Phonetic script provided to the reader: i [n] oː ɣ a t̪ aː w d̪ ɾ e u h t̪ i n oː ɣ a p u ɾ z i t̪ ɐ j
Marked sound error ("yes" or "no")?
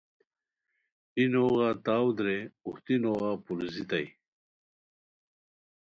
no